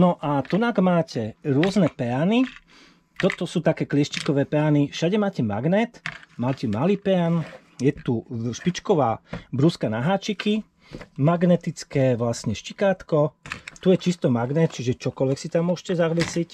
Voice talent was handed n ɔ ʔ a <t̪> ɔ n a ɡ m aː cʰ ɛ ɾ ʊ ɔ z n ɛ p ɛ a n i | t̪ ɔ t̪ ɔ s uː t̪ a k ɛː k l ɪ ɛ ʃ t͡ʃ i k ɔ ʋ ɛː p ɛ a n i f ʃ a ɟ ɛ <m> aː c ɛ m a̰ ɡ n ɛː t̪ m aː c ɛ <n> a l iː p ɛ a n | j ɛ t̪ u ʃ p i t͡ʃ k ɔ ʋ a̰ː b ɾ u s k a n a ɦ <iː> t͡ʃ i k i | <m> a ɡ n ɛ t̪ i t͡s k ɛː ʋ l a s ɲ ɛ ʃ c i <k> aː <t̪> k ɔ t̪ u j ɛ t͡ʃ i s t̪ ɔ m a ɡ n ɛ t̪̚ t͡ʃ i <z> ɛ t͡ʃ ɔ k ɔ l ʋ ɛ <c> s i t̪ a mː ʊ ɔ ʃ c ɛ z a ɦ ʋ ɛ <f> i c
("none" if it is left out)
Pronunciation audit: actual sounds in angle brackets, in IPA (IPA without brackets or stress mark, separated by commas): t̪, m, m, aː, m, k, t̪, ʒ, k, s